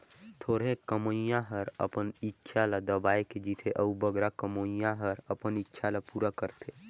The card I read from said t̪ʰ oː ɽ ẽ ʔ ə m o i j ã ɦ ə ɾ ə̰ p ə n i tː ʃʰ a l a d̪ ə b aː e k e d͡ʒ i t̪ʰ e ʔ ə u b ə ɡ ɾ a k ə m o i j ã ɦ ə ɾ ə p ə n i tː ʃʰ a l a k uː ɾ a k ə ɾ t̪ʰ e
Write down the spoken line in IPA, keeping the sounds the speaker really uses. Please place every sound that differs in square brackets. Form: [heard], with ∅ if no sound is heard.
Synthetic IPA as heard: t̪ʰ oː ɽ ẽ [k] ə m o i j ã ɦ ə ɾ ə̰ p ə n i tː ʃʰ a l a d̪ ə b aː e k e d͡ʒ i t̪ʰ e ʔ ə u b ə ɡ ɾ a k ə m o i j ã ɦ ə ɾ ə p ə n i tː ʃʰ a l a [p] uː ɾ a k ə ɾ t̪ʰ e